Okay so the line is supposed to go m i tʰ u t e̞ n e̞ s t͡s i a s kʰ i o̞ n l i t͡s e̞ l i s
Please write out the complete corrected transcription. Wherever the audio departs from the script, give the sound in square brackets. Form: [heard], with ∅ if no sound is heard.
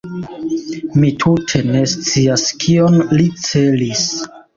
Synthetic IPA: m i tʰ u [tʰ] e̞ n e̞ s t͡s i a s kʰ i o̞ n l i t͡s e̞ l i s